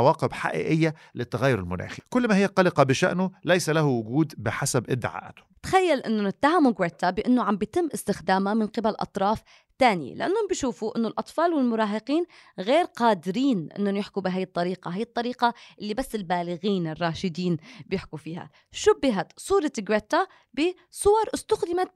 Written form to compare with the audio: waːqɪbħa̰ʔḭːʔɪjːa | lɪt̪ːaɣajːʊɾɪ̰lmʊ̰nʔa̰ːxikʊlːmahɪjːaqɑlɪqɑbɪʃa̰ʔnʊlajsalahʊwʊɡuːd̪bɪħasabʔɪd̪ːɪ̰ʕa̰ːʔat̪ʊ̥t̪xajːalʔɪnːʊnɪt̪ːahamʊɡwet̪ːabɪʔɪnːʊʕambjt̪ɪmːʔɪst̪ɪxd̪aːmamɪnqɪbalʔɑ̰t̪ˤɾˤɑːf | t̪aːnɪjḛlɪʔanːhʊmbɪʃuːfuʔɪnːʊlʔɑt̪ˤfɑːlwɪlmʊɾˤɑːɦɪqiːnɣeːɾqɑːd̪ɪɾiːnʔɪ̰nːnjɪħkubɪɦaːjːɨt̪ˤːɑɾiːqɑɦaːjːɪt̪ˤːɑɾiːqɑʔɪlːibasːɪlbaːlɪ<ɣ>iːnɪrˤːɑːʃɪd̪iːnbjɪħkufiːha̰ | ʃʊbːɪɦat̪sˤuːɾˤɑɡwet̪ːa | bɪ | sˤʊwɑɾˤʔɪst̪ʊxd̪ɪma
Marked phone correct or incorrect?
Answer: correct